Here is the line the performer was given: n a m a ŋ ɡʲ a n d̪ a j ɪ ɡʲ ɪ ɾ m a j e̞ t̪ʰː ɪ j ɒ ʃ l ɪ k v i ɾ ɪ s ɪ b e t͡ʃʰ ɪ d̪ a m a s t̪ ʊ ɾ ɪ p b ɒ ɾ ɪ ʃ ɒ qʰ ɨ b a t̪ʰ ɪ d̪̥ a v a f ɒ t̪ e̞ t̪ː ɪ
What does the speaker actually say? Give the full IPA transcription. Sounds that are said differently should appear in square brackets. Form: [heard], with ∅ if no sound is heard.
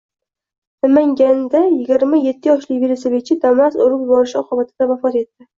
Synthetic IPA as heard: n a m a ŋ ɡʲ a n d̪ a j ɪ ɡʲ ɪ ɾ m a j e̞ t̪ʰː ɪ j ɒ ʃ l ɪ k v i ɾ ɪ s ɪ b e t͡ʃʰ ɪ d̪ a m a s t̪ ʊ ɾ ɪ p b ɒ ɾ ɪ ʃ ɒ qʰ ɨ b a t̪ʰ ɪ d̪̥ a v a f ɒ t̪ e̞ t̪ː ɪ